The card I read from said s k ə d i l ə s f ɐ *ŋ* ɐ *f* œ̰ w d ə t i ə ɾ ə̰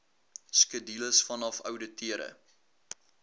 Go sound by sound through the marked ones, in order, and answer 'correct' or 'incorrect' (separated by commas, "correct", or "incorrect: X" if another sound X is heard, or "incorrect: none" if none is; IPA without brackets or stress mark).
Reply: incorrect: n, correct